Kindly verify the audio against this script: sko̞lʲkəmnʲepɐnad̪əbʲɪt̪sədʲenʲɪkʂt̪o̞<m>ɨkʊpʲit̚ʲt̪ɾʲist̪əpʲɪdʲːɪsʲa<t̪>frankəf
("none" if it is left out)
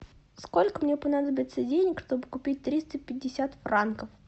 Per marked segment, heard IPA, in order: b, t̪

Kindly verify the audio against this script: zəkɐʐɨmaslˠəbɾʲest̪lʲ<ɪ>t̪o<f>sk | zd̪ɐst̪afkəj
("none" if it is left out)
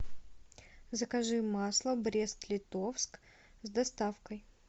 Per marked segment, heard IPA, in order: ɪ, f

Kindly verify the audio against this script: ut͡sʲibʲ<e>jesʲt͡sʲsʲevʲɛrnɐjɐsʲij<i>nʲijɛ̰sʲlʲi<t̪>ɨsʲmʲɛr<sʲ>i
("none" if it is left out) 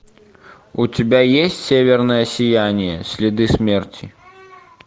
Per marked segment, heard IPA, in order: a, a, d̪, t͡sʲ

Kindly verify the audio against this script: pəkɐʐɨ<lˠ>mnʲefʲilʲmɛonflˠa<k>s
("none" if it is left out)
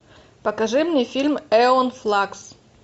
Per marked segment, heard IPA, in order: none, k

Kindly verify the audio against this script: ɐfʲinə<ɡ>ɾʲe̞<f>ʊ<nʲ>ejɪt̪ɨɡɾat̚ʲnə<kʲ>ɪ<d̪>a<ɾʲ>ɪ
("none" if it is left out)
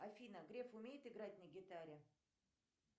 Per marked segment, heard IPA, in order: ɡ, f, mʲ, ɡʲ, t̪, ɾʲ

